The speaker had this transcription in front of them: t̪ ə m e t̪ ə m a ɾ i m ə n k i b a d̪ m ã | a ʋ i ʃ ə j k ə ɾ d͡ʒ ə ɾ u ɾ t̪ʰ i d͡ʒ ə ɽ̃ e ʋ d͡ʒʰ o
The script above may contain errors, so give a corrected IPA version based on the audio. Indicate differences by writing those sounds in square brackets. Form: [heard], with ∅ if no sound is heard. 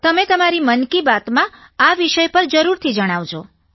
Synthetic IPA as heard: t̪ ə m e t̪ ə m a ɾ i m ə n k i b a [t̪] m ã | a ʋ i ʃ ə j [p] ə ɾ d͡ʒ ə ɾ u ɾ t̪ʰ i d͡ʒ ə ɽ̃ [a] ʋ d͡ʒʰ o